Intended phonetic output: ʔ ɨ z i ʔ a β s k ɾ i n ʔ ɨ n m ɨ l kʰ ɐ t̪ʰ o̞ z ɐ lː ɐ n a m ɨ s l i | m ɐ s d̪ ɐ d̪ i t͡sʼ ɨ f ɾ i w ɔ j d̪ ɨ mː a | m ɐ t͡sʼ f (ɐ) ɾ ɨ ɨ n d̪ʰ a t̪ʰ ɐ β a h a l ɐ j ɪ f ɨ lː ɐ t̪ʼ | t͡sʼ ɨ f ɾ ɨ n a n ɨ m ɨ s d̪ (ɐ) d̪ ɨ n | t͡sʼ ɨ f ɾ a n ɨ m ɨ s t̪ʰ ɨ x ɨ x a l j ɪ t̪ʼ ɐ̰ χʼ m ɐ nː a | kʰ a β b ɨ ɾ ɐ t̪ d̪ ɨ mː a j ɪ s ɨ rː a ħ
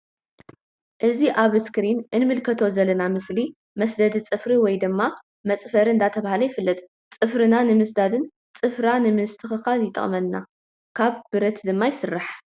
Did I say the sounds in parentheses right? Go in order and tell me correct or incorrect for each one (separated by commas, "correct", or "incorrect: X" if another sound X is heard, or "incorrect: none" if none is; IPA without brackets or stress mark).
correct, incorrect: a